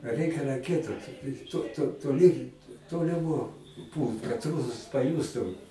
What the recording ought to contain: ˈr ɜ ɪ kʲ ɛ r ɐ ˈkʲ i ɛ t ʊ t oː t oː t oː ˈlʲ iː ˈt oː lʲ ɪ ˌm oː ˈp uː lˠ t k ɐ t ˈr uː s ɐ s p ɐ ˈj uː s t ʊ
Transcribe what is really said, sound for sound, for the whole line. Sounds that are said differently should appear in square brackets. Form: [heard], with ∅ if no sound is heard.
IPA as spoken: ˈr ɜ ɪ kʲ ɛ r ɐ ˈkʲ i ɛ t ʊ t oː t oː t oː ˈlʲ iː ˈt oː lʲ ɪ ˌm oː ˈp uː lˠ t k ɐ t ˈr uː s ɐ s p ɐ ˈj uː s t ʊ

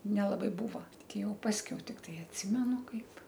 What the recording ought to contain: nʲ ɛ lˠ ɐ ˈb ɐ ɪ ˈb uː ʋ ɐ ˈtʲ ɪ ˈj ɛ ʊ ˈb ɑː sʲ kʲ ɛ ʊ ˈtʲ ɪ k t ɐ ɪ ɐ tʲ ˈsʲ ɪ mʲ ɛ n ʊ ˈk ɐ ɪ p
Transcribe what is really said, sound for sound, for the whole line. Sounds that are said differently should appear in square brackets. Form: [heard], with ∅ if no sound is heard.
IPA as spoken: nʲ ɛ lˠ ɐ ˈb ɐ ɪ ˈb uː ʋ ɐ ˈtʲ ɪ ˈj ɛ ʊ [ˈp] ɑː sʲ kʲ ɛ ʊ ˈtʲ ɪ k t ɐ ɪ ɐ tʲ ˈsʲ ɪ mʲ ɛ n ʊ ˈk ɐ ɪ p

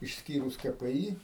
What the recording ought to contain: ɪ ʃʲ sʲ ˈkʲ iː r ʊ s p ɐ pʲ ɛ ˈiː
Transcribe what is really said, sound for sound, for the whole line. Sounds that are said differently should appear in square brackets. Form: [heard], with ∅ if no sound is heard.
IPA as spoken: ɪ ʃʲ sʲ ˈkʲ iː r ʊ s [k] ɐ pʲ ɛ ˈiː

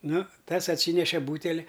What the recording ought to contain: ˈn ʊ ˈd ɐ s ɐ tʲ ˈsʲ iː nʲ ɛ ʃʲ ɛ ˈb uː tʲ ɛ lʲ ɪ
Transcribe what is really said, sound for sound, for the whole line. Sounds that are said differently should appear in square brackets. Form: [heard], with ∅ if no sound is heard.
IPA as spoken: ˈn ʊ [ˈt] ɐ s ɐ tʲ ˈsʲ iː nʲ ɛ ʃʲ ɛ ˈb uː tʲ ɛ lʲ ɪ

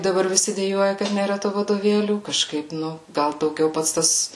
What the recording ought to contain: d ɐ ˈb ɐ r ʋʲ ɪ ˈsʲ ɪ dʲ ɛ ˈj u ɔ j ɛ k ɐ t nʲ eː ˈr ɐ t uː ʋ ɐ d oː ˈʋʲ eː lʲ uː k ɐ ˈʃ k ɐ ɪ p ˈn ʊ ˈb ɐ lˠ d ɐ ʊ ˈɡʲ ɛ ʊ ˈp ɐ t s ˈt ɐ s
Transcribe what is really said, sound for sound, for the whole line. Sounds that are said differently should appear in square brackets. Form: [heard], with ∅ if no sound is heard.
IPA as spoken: d ɐ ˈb ɐ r ʋʲ ɪ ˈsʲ ɪ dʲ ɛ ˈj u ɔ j ɛ k ɐ t nʲ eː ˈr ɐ t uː ʋ ɐ d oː ˈʋʲ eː lʲ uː k ɐ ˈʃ k ɐ ɪ p ˈn ʊ [ˈɡ] ɐ lˠ d ɐ ʊ ˈɡʲ ɛ ʊ ˈp ɐ t s ˈt ɐ s

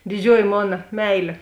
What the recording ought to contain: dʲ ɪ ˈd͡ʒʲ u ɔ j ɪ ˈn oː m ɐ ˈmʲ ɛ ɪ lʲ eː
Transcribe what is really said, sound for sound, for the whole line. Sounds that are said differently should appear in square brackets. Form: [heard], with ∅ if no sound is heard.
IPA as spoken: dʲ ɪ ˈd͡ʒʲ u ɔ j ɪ [ˈm] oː [n] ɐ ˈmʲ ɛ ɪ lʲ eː

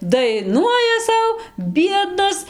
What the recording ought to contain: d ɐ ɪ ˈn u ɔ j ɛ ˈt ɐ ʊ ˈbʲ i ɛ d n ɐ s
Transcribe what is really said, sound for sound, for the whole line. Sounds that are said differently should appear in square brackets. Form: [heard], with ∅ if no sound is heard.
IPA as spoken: d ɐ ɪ ˈn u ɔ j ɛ [ˈs] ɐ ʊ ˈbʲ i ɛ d n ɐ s

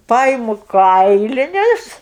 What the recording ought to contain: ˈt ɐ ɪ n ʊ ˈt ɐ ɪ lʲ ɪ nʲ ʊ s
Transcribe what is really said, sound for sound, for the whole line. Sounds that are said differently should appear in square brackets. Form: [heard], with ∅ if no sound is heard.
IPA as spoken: [ˈp] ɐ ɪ [m] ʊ [ˈk] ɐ ɪ lʲ ɪ nʲ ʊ s

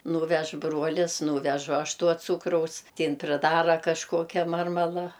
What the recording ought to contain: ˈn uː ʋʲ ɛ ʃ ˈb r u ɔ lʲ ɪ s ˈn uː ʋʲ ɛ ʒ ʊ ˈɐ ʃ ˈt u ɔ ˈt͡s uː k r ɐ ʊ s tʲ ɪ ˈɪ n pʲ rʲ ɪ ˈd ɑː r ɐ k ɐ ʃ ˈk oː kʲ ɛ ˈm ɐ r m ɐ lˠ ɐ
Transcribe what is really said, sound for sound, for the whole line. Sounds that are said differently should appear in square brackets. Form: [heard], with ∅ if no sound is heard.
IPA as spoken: ˈn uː ʋʲ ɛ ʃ ˈb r u ɔ lʲ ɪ s ˈn uː ʋʲ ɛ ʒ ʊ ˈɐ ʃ ˈt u ɔ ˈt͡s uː k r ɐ ʊ s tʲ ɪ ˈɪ n pʲ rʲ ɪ ˈd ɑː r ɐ k ɐ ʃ ˈk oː kʲ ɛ ˈm ɐ r m ɐ lˠ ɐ

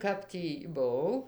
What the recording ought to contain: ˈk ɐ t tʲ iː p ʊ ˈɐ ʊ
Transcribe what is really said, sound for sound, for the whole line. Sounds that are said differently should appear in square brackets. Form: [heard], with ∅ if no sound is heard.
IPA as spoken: ˈk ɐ [p] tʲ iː [b] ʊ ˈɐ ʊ

